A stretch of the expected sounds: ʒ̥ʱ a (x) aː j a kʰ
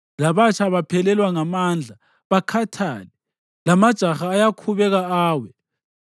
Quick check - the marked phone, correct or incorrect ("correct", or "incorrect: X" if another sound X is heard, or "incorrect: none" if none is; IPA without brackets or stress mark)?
correct